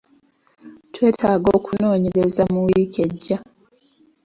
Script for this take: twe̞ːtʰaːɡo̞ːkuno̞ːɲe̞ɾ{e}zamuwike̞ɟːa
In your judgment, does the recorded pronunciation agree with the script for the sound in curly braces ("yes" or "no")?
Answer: yes